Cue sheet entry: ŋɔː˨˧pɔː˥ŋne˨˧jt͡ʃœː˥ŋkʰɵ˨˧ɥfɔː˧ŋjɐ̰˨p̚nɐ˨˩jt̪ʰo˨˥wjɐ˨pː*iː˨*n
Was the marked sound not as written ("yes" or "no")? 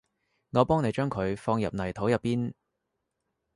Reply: yes